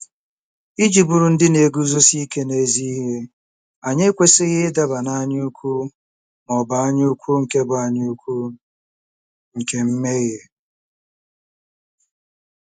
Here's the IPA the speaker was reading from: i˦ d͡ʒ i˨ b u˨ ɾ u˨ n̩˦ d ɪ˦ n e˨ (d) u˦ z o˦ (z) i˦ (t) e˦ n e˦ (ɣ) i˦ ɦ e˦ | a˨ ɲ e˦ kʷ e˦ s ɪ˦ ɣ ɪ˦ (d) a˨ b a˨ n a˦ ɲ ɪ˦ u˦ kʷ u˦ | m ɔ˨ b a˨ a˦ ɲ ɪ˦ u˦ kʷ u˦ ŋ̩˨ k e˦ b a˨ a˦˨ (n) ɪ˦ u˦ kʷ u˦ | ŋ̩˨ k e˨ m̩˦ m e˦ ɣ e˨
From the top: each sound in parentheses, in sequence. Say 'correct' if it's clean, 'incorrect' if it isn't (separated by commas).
incorrect, incorrect, incorrect, incorrect, correct, incorrect